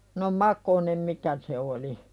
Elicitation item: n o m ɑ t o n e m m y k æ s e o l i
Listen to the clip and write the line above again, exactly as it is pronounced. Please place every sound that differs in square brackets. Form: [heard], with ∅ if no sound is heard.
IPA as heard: n o m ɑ [k] o n e m m [i] k æ s e o l i